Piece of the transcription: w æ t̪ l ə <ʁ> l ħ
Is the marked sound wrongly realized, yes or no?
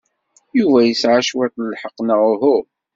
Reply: yes